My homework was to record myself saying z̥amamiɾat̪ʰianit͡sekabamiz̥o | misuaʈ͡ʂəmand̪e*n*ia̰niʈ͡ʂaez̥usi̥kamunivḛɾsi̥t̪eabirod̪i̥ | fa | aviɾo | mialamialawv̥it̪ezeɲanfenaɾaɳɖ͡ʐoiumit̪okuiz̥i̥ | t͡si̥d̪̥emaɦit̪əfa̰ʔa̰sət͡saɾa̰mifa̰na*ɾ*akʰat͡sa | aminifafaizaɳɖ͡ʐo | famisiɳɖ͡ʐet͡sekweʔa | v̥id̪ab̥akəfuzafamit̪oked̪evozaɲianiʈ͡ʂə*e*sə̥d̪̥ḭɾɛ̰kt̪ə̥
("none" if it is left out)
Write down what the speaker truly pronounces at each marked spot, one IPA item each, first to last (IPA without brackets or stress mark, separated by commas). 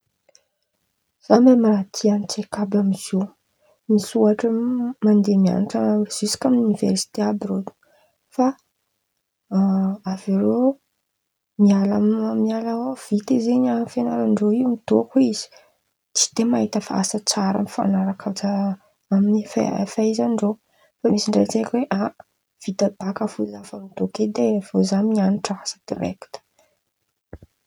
m, ɾ, a